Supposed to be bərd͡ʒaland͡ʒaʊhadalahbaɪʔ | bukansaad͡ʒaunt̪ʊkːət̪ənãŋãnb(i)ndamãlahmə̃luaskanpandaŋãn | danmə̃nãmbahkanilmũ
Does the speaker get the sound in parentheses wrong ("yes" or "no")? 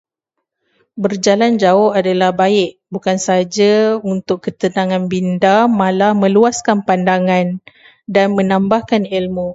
no